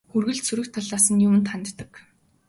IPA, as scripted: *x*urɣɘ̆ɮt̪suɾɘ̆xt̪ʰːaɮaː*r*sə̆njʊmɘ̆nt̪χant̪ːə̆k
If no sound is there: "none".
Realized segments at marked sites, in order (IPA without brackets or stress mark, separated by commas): x, none